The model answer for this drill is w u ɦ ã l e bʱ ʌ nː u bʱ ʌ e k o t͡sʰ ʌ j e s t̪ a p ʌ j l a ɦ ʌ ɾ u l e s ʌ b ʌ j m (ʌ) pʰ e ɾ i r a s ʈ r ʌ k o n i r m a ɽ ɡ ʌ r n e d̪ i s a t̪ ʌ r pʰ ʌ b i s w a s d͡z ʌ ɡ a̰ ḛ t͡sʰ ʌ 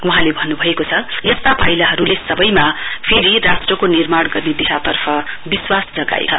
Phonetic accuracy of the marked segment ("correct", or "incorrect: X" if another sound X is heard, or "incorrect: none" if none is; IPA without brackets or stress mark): incorrect: a